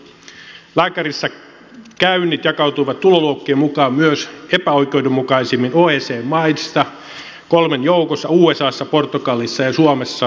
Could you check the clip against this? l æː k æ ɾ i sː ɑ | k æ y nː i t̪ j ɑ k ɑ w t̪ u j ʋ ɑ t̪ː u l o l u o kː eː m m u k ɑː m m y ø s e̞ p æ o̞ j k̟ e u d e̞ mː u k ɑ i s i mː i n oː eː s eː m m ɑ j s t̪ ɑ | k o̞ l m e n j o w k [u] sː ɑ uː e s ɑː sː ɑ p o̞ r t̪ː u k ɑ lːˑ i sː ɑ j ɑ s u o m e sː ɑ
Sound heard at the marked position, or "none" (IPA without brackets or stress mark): o